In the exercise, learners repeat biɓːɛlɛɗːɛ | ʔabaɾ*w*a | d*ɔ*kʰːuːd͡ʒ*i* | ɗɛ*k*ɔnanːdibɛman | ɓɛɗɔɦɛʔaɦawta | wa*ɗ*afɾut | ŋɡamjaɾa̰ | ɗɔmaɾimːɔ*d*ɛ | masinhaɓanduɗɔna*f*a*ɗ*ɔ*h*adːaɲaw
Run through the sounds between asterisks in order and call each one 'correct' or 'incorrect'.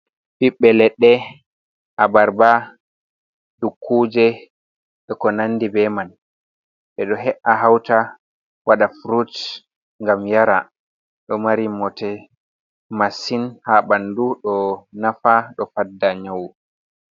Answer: incorrect: b, incorrect: u, incorrect: ɛ, correct, correct, incorrect: t, correct, correct, incorrect: f

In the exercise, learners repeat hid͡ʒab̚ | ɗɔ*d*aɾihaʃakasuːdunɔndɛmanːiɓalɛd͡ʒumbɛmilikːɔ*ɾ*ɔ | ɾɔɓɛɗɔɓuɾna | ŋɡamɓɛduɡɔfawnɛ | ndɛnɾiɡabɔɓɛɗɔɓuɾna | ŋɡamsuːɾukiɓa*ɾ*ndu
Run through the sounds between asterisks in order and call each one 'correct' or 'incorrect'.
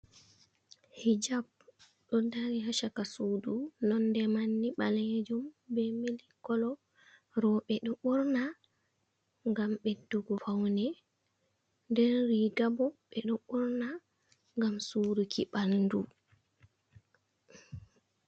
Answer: correct, incorrect: l, incorrect: l

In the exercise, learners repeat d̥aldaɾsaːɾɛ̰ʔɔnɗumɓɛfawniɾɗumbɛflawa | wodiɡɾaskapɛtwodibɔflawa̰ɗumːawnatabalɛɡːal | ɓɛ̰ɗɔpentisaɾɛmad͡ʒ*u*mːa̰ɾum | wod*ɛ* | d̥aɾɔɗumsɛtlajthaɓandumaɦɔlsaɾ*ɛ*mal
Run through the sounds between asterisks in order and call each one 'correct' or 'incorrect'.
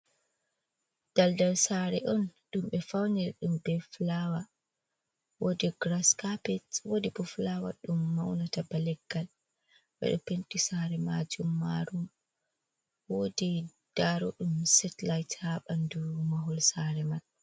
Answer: correct, incorrect: i, correct

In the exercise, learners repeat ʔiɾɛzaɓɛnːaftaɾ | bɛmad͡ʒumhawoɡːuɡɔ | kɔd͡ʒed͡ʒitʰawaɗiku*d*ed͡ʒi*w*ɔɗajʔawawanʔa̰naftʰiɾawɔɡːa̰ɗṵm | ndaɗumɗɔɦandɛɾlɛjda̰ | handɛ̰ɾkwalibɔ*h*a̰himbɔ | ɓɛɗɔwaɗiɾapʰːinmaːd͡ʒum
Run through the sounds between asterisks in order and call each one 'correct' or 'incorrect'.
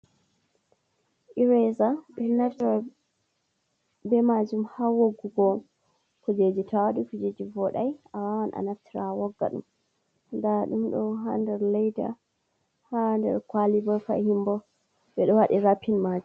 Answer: incorrect: d͡ʒ, incorrect: v, incorrect: f

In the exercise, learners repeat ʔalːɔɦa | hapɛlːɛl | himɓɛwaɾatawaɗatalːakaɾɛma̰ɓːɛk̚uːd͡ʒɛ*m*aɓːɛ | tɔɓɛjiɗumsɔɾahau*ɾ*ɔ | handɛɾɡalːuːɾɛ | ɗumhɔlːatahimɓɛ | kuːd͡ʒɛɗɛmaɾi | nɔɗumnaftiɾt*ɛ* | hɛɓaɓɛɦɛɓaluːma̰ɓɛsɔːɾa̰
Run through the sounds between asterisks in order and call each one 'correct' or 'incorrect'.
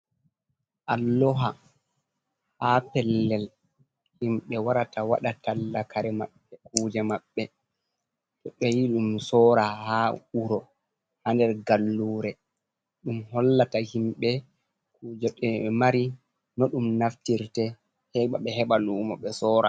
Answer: correct, correct, correct

